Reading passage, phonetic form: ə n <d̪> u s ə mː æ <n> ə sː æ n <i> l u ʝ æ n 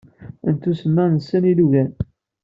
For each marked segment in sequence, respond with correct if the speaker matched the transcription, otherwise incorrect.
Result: incorrect: t̪, correct, correct

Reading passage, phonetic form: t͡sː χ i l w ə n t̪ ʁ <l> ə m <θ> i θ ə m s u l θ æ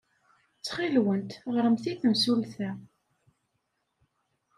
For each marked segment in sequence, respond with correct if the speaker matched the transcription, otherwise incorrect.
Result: incorrect: ɾ, correct

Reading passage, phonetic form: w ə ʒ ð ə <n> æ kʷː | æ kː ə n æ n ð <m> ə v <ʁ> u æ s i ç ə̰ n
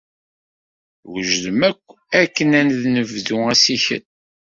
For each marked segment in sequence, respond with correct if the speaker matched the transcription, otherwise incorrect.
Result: incorrect: m, incorrect: n, incorrect: ð

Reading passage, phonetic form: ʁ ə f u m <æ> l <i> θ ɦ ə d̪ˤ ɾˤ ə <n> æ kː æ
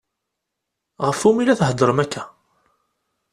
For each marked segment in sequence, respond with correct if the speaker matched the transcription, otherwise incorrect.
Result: incorrect: i, incorrect: æ, incorrect: m

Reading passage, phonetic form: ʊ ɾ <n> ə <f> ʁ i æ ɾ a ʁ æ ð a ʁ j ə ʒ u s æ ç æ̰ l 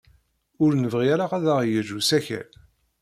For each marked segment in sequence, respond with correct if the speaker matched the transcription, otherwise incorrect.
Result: correct, incorrect: v

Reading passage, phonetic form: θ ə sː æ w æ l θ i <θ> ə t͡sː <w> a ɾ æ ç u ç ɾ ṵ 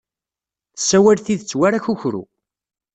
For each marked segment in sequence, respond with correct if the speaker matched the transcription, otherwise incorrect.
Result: incorrect: ð, correct

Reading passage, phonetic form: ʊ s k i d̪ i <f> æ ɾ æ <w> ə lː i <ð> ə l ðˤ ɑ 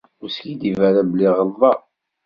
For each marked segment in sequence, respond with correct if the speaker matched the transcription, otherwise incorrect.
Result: incorrect: v, incorrect: b, incorrect: ʁ

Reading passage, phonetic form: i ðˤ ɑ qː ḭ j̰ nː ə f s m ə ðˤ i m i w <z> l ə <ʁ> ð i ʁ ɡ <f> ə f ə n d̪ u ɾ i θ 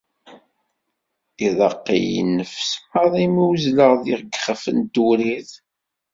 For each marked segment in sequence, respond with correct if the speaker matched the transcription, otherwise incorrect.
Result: correct, correct, incorrect: χ

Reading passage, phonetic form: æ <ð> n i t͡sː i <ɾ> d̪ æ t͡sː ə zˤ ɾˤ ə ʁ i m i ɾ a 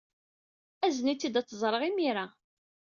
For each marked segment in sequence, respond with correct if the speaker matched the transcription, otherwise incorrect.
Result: incorrect: z, incorrect: none

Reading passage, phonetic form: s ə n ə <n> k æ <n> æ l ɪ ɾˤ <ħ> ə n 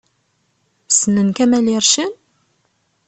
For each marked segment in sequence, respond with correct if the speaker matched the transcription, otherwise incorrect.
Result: correct, incorrect: m, incorrect: ʃ

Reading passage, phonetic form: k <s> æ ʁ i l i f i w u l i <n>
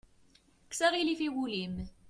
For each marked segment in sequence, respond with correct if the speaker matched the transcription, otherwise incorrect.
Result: correct, incorrect: m

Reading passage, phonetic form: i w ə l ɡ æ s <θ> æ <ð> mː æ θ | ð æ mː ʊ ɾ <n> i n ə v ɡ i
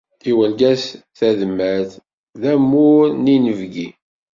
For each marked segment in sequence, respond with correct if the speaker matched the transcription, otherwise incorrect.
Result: correct, correct, correct

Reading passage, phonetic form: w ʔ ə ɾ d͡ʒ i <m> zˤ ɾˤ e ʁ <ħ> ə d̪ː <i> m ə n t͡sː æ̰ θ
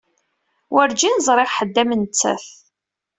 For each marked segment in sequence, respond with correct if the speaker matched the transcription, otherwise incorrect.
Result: incorrect: n, correct, incorrect: æ

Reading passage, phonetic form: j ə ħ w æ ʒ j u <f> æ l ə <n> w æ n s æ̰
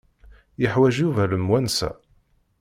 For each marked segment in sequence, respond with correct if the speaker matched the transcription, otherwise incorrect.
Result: incorrect: v, incorrect: m

